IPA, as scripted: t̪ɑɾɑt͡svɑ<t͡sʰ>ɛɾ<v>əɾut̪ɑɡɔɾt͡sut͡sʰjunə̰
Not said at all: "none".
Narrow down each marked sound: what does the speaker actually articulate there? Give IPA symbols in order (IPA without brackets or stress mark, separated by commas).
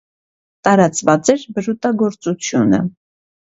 t͡s, b